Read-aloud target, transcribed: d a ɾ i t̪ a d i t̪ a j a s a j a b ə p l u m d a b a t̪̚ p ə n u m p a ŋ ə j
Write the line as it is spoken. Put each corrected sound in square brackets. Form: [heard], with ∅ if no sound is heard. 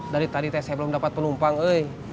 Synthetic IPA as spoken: d a ɾ i t̪ a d i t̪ a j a s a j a b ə [∅] l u m d a [p] a t̪̚ p ə n u m p a ŋ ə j